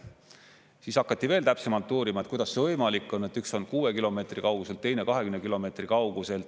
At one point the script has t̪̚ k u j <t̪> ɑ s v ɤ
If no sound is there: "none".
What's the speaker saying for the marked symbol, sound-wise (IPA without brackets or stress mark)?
d̪